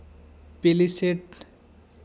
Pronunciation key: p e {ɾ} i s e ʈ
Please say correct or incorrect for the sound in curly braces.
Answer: incorrect